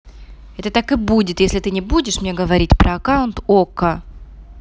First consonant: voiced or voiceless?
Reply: voiceless